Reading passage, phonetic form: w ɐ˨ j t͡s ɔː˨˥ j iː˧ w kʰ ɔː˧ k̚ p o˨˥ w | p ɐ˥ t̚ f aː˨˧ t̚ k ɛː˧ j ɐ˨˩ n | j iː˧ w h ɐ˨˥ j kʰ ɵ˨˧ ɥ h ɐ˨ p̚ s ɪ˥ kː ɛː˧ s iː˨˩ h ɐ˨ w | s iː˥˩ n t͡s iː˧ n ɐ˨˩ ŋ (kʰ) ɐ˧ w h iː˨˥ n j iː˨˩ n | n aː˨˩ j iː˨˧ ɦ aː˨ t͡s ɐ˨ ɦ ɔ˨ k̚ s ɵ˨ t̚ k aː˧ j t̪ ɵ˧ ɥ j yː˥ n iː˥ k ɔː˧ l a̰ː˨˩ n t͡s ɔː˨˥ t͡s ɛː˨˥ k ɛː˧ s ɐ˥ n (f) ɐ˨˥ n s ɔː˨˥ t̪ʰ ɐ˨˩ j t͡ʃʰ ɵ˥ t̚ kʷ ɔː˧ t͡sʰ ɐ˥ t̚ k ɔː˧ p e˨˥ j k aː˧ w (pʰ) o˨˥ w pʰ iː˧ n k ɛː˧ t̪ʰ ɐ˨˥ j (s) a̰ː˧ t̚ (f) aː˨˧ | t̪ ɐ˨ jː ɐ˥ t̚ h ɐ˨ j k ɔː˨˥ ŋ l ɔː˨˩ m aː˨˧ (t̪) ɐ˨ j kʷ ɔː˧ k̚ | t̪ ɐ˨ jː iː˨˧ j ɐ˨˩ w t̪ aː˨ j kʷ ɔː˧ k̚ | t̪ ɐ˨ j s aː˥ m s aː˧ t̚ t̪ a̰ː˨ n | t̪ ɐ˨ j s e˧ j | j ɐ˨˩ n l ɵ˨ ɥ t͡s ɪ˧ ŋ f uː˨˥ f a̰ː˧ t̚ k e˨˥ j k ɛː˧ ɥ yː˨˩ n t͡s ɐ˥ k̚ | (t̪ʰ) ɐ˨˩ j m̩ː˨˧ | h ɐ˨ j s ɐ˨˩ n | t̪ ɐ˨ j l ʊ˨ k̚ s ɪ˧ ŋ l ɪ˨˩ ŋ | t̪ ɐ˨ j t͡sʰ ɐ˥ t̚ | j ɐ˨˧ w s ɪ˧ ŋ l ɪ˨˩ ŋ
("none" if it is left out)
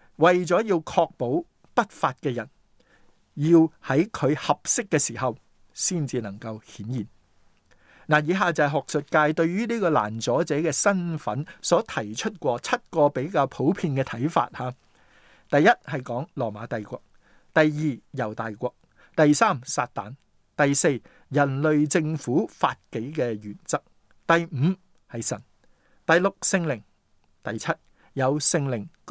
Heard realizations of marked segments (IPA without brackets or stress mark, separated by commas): k, f, pʰ, f, h, t̪, t̪